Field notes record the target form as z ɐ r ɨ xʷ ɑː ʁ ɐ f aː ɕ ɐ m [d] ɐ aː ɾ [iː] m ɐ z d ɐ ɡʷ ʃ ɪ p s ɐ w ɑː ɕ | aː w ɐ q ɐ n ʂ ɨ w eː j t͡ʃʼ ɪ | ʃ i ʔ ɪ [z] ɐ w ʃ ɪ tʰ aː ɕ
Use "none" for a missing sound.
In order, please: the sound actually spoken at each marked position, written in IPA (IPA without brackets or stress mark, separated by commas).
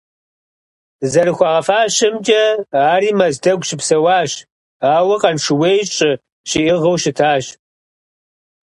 d͡ʒ, iː, ʁ